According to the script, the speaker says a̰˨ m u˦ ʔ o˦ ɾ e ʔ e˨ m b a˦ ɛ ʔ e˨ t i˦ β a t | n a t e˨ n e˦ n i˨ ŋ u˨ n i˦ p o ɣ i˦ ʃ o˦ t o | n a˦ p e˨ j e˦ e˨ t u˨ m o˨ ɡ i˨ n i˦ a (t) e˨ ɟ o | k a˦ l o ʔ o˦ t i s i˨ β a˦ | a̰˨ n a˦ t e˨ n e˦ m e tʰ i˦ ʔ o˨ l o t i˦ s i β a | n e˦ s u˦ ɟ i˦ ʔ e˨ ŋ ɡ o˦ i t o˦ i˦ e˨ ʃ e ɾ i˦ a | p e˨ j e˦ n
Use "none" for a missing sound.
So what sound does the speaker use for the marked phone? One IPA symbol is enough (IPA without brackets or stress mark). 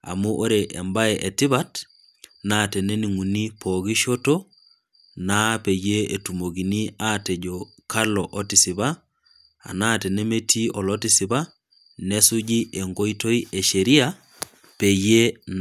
t